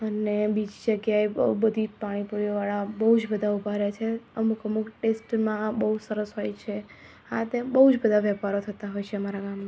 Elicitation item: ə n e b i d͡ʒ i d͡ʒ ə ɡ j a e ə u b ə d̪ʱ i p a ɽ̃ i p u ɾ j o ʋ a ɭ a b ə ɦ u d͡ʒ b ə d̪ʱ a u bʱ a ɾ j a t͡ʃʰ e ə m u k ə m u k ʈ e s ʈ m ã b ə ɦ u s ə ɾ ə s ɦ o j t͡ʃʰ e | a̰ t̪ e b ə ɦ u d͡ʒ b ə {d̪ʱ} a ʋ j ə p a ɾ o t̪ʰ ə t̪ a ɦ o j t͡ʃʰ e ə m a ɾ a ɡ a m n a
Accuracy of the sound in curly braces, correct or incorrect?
correct